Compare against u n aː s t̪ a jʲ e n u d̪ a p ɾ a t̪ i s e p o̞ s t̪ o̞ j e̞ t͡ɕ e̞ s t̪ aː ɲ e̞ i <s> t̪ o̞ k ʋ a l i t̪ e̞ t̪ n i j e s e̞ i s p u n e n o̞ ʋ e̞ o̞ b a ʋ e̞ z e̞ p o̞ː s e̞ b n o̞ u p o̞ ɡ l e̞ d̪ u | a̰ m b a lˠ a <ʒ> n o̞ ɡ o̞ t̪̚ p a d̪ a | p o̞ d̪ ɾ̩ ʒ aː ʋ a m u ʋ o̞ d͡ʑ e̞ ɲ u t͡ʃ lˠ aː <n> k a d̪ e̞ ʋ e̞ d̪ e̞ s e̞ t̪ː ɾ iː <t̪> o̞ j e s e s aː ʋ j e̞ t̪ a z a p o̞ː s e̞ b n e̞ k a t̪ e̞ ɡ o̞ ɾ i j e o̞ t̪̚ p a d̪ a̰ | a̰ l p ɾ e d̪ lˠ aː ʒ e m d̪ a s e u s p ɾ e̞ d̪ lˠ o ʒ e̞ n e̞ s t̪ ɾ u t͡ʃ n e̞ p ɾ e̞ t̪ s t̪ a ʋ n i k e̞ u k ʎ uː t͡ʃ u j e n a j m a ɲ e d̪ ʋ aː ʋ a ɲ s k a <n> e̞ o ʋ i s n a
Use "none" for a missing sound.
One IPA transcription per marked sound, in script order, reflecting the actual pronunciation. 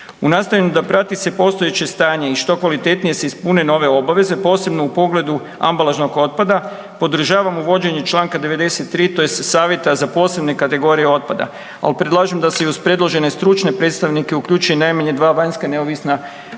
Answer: ʃ, ʒ, ŋ, t̪, n

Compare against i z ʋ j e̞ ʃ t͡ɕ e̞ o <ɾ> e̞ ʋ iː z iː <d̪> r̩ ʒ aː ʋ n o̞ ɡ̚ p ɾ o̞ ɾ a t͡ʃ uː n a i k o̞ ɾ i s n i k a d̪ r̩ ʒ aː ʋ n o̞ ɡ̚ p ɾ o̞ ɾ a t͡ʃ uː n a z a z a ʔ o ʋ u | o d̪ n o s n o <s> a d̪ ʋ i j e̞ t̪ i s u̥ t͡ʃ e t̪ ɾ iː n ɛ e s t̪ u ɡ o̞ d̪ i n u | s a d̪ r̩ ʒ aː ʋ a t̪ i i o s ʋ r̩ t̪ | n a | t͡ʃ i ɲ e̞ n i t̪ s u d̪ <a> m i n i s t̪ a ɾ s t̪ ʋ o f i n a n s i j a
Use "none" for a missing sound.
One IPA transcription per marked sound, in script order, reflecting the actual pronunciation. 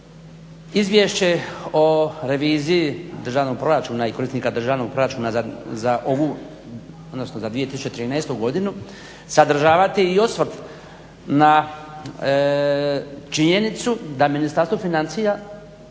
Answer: ɾ, d̪, z, a

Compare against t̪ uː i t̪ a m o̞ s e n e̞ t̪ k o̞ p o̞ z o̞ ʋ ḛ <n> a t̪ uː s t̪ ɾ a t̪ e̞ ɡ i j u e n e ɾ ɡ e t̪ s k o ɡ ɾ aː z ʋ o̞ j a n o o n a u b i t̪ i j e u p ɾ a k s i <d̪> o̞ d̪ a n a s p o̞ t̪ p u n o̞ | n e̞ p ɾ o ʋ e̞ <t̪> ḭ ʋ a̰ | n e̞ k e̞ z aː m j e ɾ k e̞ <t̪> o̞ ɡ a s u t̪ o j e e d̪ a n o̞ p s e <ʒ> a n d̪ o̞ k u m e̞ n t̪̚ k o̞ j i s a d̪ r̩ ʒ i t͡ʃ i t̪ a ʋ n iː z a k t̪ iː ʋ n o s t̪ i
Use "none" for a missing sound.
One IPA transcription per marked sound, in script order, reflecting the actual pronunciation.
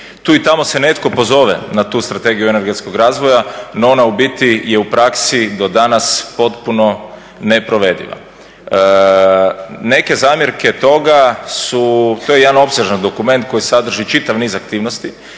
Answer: n, d̪, d̪, t̪, ʒ

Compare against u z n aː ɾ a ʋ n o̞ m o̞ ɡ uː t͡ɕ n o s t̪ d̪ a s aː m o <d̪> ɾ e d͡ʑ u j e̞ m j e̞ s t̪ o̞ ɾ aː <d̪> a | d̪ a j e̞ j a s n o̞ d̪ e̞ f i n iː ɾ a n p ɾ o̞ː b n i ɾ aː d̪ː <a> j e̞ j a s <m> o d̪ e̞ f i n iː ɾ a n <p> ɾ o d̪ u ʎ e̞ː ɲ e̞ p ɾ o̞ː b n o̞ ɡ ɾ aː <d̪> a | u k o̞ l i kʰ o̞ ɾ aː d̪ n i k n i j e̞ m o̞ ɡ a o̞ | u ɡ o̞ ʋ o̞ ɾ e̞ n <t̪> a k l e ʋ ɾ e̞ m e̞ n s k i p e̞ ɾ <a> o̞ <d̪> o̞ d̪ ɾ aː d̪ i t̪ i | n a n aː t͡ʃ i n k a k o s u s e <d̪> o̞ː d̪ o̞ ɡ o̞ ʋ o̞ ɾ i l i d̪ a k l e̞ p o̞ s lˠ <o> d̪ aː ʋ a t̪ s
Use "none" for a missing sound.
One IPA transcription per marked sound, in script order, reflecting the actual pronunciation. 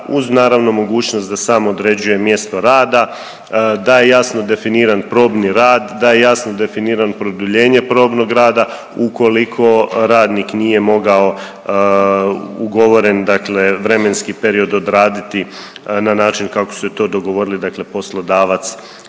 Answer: d̪, d̪, a, n, p, d̪, d̪, i, d̪, t̪, o

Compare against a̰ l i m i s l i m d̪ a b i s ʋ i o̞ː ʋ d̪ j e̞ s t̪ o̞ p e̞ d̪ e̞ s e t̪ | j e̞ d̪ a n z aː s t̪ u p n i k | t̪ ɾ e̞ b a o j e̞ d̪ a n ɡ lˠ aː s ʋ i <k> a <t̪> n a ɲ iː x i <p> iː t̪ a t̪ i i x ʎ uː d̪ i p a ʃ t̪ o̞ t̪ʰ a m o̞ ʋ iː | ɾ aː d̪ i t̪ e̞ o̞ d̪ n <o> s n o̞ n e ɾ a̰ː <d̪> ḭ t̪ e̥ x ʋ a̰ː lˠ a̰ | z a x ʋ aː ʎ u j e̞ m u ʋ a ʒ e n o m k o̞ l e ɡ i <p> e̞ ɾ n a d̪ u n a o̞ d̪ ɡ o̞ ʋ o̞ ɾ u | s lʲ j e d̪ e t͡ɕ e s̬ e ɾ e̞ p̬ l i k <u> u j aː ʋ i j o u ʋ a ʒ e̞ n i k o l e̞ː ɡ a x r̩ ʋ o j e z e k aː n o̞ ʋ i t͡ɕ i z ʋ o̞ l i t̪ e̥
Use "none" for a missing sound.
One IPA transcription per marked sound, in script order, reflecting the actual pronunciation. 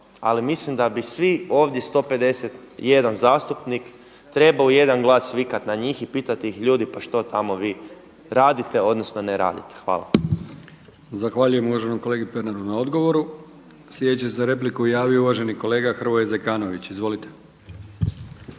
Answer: k, t̪, p, o, d̪, p, u

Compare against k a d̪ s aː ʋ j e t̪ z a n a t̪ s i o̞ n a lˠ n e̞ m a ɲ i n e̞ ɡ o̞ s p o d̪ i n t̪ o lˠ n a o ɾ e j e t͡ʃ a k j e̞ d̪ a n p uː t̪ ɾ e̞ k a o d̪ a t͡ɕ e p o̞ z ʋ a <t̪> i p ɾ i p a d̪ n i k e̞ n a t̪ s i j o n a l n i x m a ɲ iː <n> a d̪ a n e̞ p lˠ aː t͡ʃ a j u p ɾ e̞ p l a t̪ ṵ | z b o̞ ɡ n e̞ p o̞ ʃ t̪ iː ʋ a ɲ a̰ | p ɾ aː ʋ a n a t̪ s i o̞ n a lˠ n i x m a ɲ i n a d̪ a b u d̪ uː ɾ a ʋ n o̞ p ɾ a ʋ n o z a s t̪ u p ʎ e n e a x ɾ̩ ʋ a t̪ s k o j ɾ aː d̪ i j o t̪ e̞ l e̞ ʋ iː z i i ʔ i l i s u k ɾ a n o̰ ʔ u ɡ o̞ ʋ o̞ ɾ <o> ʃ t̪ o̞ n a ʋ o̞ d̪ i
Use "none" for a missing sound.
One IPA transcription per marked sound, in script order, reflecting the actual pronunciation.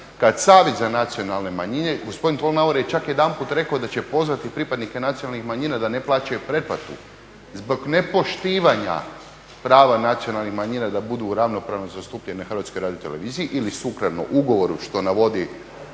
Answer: t̪, n, u

